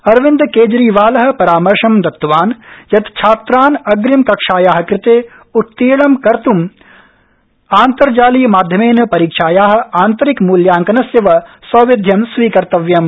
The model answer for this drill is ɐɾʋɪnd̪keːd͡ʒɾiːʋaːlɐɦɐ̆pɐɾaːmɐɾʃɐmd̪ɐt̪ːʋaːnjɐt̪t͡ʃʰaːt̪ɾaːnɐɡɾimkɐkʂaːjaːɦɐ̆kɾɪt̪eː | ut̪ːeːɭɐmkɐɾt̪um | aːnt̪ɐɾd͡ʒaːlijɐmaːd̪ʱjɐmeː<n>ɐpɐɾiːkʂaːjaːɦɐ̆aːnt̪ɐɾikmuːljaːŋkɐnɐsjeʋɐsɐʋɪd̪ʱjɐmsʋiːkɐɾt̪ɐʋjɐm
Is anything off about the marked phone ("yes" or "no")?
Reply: no